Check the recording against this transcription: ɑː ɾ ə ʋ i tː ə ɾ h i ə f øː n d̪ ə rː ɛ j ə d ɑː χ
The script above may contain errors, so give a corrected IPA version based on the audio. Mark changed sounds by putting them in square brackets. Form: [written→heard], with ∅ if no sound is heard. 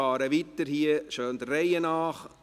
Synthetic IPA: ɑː ɾ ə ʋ i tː ə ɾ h i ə [f→ʃ] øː n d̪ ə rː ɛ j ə [d→n] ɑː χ